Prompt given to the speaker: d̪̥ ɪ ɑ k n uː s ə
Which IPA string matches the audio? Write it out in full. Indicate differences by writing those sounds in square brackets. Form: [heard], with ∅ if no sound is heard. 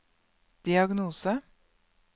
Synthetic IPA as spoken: d̪̥ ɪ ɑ [ɡ] n uː s ə